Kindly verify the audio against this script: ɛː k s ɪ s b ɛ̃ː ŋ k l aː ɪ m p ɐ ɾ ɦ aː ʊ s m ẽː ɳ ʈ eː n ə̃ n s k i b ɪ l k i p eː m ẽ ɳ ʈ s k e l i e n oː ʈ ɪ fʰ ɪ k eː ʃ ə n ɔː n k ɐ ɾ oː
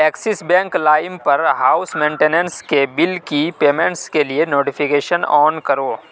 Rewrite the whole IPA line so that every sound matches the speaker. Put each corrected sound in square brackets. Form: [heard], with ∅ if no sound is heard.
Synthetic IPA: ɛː k s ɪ s b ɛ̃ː ŋ k l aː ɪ m p ɐ ɾ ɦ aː ʊ s m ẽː ɳ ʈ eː n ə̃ n s k [e] b ɪ l k i p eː m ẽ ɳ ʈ s k e l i e n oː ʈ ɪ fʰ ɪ k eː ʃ ə n ɔː n k ɐ ɾ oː